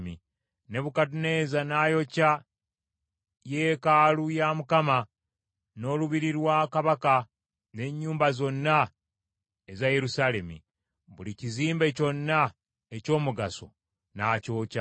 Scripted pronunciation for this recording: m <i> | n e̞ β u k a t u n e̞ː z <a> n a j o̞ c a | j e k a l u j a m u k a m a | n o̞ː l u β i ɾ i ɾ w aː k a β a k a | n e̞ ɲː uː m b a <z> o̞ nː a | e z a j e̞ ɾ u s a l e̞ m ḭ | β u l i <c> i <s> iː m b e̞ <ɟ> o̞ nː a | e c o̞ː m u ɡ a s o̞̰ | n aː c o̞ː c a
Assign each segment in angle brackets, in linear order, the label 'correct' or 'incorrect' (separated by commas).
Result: correct, correct, correct, correct, incorrect, incorrect